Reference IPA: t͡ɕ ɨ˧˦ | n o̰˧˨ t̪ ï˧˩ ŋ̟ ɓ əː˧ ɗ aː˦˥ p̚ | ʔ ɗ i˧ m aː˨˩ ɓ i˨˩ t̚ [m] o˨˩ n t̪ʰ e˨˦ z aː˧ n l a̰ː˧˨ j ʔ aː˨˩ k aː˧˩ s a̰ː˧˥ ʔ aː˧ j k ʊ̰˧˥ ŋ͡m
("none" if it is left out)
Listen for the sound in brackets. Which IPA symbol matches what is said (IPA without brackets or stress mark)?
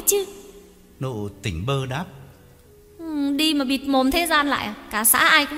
m